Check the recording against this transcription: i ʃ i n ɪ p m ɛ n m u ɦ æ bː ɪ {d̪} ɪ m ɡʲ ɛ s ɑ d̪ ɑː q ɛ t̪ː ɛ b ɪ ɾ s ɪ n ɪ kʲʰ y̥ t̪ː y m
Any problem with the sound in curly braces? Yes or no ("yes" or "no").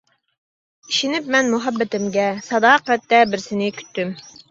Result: yes